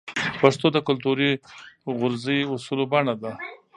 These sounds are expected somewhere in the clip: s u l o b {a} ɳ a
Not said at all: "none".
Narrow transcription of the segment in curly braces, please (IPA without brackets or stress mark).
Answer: a